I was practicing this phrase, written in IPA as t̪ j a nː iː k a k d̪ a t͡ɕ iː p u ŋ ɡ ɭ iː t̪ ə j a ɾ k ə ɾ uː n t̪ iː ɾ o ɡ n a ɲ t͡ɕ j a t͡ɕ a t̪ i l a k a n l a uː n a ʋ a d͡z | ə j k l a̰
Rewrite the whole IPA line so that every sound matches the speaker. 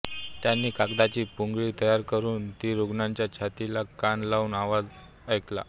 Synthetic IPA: t̪ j a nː iː k a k d̪ a t͡ɕ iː p u ŋ ɡ ɭ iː t̪ ə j a ɾ k ə ɾ uː n t̪ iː ɾ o ɡ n a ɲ t͡ɕ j a t͡ɕʰ a t̪ i l a k a n l a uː n a ʋ a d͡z | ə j k l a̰